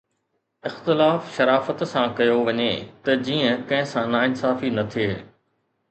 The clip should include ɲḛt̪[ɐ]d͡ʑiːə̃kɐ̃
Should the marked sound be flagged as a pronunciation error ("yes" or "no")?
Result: no